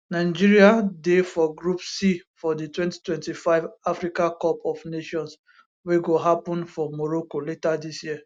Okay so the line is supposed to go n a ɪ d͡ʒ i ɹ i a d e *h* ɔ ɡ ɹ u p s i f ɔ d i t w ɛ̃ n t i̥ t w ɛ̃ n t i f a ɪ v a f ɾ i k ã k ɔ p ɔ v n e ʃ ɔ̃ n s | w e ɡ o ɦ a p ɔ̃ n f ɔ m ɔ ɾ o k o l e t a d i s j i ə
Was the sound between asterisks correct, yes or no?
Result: no